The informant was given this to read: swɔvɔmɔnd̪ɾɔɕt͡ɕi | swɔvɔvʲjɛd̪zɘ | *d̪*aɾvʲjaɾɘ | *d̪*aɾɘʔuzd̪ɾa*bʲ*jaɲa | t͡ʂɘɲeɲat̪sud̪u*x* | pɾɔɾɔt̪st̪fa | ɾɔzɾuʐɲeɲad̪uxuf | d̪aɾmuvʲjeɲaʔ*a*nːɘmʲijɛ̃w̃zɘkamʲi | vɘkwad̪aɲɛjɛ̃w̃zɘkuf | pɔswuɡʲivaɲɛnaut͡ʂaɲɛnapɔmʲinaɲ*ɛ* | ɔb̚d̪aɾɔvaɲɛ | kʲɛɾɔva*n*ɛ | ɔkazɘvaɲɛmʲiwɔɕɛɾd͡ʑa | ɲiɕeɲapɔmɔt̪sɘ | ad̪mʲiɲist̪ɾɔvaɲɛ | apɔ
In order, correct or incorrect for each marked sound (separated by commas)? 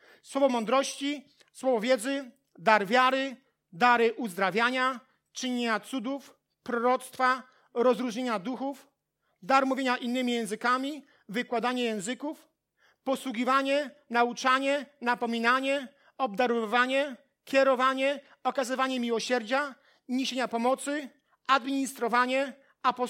correct, correct, incorrect, incorrect, incorrect, correct, incorrect